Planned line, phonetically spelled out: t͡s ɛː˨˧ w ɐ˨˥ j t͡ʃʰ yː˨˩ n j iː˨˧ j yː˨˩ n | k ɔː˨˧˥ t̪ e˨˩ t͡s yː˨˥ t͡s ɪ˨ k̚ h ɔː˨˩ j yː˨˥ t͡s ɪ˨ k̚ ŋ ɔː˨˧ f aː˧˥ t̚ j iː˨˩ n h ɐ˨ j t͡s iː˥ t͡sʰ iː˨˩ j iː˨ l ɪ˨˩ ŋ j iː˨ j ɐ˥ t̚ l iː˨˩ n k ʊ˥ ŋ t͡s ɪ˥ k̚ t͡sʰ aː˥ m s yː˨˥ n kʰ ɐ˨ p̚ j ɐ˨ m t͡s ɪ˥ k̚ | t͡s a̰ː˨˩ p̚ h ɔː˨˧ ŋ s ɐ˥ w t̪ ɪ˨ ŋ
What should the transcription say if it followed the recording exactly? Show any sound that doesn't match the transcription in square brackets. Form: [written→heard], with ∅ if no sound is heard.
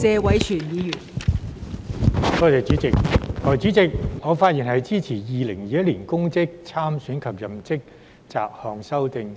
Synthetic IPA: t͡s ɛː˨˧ w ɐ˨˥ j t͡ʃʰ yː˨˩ n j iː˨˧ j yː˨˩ n | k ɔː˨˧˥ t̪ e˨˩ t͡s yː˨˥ t͡s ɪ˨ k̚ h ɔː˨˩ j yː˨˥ t͡s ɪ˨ k̚ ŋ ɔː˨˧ f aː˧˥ t̚ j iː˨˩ n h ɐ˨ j t͡s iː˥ t͡sʰ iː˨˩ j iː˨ l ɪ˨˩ ŋ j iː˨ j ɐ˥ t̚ l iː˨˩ n k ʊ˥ ŋ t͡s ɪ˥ k̚ t͡sʰ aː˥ m s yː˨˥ n kʰ ɐ˨ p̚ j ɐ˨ m t͡s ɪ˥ k̚ | t͡s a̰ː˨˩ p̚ h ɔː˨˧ ŋ s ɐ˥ w t̪ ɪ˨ ŋ